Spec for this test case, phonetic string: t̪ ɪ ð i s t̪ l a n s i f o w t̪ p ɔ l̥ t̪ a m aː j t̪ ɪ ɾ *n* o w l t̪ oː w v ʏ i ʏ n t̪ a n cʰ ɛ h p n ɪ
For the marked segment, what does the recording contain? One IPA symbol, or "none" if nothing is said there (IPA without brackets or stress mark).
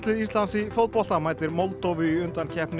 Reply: m